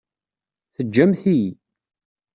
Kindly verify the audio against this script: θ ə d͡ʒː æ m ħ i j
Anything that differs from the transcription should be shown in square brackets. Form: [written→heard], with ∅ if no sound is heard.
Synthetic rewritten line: θ ə d͡ʒː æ m [ħ→θ] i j